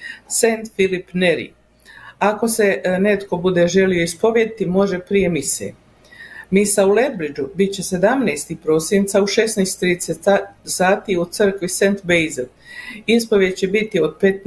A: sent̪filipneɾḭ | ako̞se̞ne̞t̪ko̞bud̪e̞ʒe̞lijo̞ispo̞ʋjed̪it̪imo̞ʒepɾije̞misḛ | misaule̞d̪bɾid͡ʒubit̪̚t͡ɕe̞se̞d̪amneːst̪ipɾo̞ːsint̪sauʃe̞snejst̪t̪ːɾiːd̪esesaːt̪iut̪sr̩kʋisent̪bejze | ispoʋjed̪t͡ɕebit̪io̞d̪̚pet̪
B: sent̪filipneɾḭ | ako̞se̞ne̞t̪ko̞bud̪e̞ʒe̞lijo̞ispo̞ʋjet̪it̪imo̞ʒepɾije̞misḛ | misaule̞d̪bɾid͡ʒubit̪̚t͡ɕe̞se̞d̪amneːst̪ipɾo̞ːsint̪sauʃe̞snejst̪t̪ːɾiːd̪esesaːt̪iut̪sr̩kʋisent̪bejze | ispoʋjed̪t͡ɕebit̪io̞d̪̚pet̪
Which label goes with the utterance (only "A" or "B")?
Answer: A